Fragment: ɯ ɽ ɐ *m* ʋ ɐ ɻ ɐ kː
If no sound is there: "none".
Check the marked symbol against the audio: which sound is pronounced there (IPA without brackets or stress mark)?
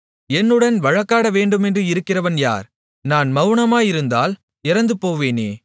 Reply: n